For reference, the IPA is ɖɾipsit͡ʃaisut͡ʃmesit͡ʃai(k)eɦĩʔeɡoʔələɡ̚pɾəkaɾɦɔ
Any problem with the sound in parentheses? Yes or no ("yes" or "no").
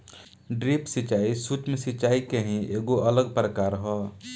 no